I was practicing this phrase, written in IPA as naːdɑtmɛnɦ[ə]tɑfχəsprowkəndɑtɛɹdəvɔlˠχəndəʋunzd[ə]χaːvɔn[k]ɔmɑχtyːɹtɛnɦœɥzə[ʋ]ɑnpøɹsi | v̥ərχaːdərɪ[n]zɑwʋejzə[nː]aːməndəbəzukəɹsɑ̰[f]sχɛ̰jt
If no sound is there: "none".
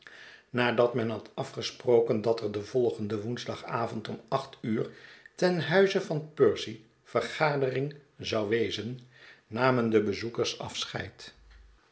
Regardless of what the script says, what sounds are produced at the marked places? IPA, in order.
ɑ, ɑ, t, v, ŋ, nː, f

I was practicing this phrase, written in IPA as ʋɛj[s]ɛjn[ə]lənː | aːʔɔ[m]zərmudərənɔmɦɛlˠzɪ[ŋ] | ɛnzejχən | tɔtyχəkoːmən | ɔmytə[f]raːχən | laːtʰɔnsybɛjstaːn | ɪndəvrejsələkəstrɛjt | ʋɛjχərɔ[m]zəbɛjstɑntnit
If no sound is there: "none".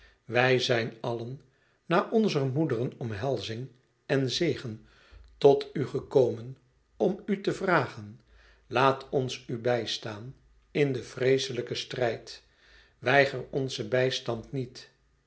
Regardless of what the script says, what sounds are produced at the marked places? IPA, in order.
z, ɑ, n, ŋ, v, n

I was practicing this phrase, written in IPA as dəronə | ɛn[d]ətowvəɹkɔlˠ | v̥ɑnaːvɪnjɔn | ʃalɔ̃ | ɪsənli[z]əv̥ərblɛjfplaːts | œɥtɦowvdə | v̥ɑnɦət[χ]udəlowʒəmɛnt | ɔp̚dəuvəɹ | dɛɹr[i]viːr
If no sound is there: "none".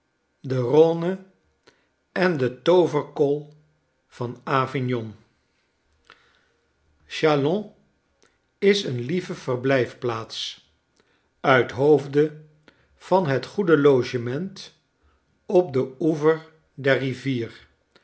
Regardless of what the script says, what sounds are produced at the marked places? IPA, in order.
d, v, χ, i

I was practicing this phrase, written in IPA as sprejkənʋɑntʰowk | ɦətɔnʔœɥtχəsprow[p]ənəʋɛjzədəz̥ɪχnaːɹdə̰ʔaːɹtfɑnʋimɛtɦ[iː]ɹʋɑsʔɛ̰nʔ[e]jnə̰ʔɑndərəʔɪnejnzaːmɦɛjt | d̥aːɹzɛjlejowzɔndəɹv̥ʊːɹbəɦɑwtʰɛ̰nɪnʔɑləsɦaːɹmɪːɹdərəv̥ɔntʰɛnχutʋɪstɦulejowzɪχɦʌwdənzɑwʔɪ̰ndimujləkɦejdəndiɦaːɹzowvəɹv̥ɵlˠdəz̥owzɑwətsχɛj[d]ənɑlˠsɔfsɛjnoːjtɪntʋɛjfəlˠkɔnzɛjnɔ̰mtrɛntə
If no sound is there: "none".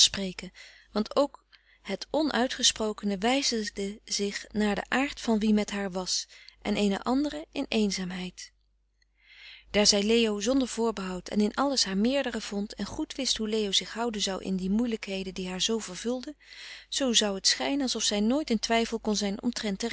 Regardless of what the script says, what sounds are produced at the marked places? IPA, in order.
k, aː, e, n

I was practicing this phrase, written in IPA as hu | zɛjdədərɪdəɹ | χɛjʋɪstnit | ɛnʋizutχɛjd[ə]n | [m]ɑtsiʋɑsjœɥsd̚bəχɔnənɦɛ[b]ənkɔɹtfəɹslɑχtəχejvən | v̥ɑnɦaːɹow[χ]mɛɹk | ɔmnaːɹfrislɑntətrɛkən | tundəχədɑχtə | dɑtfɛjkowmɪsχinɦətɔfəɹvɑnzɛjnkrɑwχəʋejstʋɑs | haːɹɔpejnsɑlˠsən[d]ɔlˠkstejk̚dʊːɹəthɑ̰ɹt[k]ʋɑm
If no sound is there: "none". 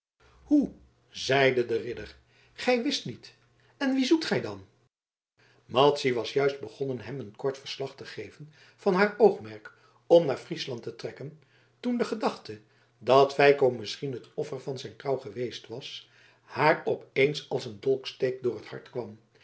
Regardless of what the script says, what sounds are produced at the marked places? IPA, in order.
ɑ, m, m, χ, d, k

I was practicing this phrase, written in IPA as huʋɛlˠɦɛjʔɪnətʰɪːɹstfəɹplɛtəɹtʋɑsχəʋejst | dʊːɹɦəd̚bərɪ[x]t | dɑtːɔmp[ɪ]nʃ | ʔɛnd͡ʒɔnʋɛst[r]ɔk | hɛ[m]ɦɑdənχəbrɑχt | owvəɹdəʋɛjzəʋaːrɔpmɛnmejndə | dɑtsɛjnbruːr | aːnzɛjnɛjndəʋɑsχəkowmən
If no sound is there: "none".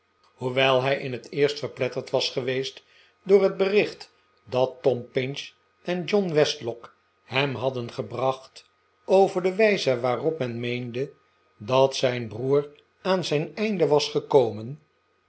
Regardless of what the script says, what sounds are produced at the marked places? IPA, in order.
χ, ɪ, l, m

